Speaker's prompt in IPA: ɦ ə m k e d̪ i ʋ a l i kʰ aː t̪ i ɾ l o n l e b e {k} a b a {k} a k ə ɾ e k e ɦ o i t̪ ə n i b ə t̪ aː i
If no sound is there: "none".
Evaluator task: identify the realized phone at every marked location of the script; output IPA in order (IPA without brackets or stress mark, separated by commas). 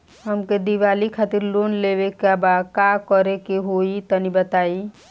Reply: k, k